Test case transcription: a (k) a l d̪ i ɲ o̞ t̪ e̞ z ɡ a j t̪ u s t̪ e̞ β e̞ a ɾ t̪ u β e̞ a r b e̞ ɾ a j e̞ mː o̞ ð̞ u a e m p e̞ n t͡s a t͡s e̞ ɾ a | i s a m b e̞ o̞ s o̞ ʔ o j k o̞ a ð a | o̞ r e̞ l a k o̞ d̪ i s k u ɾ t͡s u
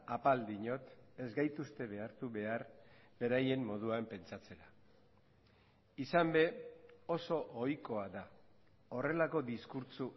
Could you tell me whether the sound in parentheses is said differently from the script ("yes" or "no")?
yes